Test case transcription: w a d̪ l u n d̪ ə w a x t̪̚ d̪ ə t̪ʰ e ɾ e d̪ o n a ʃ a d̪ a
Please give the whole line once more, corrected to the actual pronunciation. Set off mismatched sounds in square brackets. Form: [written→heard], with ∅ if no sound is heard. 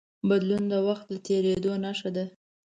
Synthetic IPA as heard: [w→b] a d̪ l u n d̪ ə w a x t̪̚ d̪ ə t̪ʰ e ɾ e d̪ o n a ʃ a d̪ a